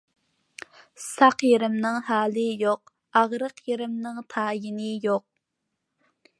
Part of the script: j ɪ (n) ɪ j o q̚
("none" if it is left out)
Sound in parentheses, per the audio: n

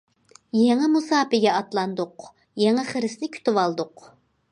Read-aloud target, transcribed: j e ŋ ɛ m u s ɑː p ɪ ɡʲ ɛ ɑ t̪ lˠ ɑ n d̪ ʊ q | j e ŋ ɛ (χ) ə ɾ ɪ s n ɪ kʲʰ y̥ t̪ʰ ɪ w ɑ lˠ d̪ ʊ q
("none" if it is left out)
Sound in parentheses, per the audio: χ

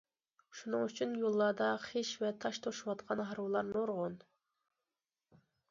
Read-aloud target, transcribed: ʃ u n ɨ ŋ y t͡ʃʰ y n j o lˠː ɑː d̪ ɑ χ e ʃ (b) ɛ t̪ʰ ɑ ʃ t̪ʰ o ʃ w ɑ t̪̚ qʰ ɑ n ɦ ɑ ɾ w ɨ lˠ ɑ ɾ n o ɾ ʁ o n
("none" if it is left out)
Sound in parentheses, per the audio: v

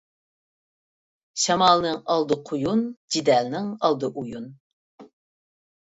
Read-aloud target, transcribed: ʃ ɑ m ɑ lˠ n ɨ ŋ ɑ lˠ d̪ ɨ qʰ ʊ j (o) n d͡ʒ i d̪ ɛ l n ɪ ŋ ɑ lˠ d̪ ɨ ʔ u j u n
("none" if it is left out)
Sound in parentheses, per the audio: u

